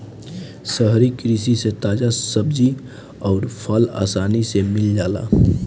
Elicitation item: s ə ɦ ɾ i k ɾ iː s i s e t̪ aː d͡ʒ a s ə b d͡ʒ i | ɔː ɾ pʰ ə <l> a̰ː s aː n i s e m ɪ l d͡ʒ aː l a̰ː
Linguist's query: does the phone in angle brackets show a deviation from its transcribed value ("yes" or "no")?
no